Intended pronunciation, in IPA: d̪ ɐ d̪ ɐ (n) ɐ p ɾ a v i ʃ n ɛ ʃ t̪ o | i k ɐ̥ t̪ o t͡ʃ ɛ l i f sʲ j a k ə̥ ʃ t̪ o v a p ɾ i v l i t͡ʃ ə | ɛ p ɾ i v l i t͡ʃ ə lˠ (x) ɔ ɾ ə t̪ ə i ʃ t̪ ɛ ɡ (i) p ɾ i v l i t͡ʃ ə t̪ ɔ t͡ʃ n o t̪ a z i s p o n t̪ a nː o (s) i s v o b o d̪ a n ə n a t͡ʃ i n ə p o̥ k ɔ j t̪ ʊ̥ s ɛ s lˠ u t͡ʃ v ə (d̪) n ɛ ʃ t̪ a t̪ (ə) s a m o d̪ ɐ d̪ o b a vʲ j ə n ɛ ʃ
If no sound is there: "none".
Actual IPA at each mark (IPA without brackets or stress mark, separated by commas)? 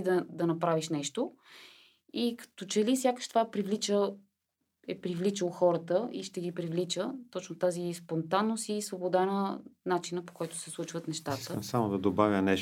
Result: n, x, i, s, t̪, ə